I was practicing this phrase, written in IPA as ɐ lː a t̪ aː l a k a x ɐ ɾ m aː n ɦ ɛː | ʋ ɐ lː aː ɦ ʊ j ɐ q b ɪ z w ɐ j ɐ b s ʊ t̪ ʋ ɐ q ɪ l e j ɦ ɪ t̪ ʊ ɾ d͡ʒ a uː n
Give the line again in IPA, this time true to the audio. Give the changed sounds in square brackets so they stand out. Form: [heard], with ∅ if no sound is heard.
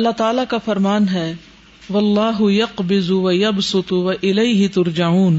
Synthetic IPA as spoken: ɐ lː a t̪ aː l a k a [f] ɐ ɾ m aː n ɦ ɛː | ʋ ɐ lː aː ɦ ʊ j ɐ q b ɪ z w ɐ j ɐ b s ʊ t̪ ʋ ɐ [ʔ] ɪ l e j ɦ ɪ t̪ ʊ ɾ d͡ʒ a uː n